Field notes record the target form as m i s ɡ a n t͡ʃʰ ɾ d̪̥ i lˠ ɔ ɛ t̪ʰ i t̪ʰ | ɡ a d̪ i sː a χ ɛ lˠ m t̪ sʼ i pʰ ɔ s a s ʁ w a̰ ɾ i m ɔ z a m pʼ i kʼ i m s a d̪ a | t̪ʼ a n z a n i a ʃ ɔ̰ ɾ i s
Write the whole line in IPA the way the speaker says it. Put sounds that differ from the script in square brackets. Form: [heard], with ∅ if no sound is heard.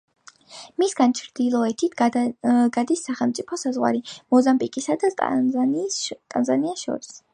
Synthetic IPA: m i s ɡ a n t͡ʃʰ ɾ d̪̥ i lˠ ɔ ɛ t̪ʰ i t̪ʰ | ɡ a d̪ i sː a χ ɛ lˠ m t̪ sʼ i pʰ ɔ s a [z] ʁ w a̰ ɾ i m ɔ z a m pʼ i kʼ i [∅] s a d̪ a | t̪ʼ a n z a n i a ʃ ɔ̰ ɾ i s